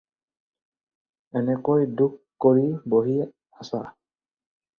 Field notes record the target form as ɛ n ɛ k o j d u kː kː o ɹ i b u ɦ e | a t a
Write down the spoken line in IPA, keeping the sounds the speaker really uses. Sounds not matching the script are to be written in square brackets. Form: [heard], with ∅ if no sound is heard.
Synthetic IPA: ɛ n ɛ k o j d u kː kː o ɹ i b [o] ɦ [i] | a [s] a